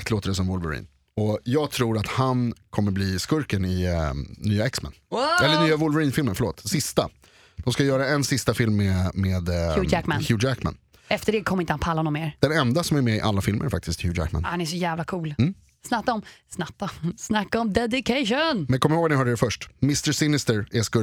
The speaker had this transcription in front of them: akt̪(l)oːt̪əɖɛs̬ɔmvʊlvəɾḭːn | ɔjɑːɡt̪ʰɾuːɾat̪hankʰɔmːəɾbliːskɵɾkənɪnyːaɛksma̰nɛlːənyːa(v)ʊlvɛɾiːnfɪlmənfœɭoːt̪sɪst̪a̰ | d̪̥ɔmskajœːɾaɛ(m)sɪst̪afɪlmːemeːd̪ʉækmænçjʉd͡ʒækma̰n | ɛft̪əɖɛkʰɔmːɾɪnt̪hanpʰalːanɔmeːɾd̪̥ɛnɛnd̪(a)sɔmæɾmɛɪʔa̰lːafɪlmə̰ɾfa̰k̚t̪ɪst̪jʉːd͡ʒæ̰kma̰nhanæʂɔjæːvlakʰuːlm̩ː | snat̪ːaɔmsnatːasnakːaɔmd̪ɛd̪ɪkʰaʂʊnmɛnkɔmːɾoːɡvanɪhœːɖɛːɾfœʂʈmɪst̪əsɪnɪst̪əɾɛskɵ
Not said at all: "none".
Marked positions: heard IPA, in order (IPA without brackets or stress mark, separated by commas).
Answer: l, v, n, a